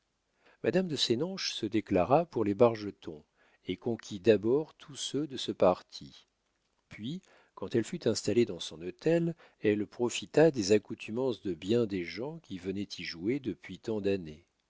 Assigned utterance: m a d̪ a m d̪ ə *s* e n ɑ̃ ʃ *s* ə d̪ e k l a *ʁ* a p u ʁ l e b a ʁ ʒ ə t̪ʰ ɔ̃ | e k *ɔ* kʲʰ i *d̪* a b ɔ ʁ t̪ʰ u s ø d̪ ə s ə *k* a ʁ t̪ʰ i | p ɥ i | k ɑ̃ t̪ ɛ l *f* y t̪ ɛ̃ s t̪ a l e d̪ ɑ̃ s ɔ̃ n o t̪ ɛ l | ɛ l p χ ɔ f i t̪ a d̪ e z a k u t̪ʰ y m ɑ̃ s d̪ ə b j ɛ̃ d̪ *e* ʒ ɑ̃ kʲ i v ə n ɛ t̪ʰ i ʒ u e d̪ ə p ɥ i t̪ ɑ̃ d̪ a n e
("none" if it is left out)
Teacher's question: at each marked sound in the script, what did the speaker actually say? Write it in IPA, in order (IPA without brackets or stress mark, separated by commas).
s, s, ʁ, ɔ̃, d̪, p, f, e